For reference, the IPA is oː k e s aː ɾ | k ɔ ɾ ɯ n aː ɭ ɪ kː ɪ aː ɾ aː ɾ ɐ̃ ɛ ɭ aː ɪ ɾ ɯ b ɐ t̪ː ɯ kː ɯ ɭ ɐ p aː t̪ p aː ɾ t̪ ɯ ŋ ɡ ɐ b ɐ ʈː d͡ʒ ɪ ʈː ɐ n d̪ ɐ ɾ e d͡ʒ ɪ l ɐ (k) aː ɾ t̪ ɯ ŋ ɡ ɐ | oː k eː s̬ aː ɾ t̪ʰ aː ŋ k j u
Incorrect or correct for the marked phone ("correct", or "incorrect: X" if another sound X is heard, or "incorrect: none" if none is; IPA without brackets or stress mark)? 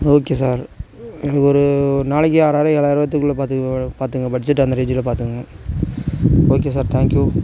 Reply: incorrect: p